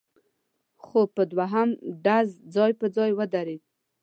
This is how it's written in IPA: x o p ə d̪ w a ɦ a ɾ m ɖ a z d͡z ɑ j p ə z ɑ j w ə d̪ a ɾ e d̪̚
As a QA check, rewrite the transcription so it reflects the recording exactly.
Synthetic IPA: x o p ə d̪ w a ɦ a m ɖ a z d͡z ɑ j p ə d͡z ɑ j w ə d̪ a ɾ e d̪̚